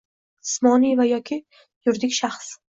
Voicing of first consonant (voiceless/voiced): voiceless